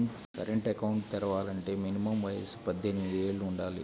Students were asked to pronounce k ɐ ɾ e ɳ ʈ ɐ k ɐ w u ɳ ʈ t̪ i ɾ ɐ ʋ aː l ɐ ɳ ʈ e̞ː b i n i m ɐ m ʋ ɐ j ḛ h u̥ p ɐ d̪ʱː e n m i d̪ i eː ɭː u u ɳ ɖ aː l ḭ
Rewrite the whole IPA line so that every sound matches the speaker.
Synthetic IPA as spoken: k ɐ ɾ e ɳ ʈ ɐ k ɐ w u ɳ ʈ t̪ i ɾ ɐ ʋ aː l ɐ ɳ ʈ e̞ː m i n i m ɐ m ʋ ɐ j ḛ s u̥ p ɐ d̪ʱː e n m i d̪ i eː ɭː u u ɳ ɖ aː l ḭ